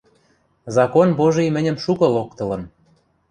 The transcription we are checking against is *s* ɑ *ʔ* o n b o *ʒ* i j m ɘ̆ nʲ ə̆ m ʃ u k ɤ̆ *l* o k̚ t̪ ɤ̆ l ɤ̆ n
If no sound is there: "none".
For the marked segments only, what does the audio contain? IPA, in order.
z, k, ʒ, l

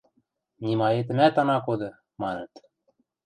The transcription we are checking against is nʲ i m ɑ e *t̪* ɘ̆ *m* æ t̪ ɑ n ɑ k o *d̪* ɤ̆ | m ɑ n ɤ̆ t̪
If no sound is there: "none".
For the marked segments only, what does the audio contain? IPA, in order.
t̪, m, d̪

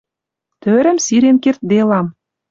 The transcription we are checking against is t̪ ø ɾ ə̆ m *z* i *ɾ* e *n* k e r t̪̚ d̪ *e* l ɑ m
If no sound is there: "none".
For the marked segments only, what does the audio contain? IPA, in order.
s, ɾ, n, e

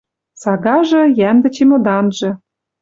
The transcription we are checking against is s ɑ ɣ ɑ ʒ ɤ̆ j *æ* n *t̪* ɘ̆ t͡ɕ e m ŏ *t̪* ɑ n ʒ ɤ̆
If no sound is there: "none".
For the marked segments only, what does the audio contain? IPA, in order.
æ, d̪, d̪

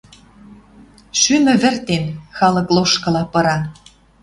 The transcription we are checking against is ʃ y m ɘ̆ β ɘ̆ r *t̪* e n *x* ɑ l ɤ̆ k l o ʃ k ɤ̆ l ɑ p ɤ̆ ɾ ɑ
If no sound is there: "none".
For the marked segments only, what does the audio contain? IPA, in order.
t̪, x

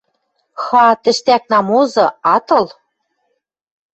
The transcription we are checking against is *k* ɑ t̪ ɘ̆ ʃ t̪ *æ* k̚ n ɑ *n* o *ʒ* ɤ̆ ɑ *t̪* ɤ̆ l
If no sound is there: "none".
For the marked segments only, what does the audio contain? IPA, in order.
x, æ, m, z, t̪

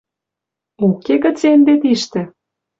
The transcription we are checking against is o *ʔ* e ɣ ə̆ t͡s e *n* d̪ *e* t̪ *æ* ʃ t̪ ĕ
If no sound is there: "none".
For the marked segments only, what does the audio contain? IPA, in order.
k, n, e, i

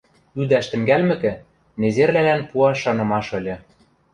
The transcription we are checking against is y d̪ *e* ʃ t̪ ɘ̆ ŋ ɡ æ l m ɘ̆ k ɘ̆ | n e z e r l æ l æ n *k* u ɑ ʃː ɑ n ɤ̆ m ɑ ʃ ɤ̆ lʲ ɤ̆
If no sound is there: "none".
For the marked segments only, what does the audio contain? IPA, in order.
æ, p

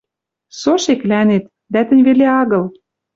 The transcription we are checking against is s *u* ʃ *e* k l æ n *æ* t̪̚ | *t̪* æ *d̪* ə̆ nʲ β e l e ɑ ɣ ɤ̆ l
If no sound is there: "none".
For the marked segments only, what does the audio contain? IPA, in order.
o, e, e, d̪, t̪

